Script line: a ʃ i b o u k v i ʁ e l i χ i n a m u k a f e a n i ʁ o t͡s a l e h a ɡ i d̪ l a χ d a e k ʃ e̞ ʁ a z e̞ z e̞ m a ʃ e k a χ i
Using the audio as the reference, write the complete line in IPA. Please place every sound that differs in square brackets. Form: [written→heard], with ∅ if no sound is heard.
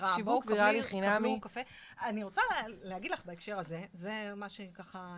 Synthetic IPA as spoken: a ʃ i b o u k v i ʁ [e→a] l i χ i n a m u k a f e a n i ʁ o t͡s a l e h a ɡ i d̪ l a χ [d→b] a e k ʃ e̞ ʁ a z e̞ z e̞ m a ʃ e k a χ [i→a]